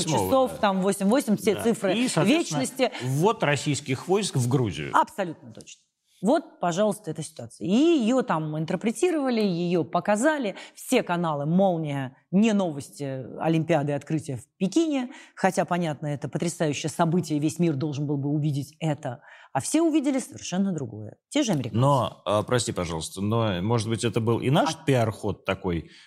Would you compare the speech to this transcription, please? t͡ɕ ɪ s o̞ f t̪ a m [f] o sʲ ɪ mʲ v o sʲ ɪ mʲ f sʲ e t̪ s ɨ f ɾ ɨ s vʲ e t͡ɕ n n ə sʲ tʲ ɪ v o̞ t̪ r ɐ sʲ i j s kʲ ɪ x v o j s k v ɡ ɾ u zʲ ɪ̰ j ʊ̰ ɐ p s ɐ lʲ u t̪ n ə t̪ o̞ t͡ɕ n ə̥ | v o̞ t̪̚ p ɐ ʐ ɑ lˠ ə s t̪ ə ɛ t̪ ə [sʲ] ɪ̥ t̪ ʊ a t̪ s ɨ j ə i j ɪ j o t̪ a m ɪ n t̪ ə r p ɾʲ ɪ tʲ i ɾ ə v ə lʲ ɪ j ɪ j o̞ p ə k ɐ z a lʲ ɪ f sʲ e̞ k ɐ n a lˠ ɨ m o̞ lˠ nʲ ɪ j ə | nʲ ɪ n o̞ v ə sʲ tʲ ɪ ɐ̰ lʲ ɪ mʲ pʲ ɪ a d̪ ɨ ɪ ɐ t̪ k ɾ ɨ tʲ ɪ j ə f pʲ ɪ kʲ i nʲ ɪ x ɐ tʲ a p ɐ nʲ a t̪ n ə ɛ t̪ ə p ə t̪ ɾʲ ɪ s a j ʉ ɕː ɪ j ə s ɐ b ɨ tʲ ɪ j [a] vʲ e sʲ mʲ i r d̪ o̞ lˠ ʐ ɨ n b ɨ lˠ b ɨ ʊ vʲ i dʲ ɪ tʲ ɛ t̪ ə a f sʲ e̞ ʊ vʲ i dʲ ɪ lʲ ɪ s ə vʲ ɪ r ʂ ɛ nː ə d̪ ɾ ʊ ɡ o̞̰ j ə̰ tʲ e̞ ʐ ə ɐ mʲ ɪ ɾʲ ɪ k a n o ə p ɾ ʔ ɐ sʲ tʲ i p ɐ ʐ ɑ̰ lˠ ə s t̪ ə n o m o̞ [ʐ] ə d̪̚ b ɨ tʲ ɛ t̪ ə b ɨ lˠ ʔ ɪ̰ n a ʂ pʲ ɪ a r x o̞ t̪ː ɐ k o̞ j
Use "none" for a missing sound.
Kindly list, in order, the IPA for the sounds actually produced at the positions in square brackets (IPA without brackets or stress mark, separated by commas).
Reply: v, sʲ, ə, ʐ